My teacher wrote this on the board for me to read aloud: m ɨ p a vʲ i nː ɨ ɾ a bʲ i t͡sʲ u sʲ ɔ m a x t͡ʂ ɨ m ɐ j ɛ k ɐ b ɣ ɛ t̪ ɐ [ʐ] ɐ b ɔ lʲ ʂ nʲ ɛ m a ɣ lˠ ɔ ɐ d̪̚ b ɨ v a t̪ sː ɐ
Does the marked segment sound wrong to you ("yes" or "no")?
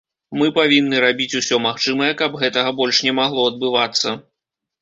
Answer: yes